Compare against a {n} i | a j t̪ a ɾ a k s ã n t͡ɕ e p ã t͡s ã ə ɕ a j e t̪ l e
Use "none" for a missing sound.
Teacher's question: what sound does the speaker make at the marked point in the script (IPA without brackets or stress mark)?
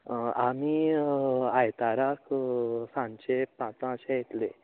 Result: m